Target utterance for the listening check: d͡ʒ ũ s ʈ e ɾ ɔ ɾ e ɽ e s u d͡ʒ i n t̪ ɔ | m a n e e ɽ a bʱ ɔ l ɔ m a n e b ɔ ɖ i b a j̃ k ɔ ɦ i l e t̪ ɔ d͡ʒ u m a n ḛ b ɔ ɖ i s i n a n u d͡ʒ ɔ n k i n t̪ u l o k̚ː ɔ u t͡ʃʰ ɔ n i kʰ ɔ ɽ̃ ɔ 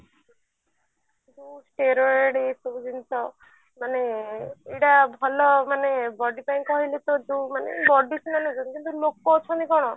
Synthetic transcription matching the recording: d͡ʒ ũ s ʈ e ɾ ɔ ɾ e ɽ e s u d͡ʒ i n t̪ ɔ | m a n e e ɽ a bʱ ɔ l ɔ m a n e b ɔ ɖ i p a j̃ k ɔ ɦ i l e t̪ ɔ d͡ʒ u m a n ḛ b ɔ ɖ i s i n a n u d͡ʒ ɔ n k i n t̪ u l o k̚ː ɔ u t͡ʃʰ ɔ n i k ɔ ɽ̃ ɔ